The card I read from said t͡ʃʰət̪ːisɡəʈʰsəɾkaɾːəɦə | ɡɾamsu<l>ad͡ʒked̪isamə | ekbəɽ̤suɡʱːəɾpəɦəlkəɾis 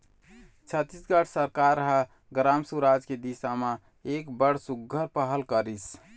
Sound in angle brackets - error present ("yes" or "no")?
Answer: yes